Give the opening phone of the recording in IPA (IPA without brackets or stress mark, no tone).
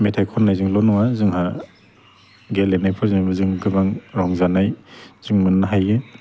m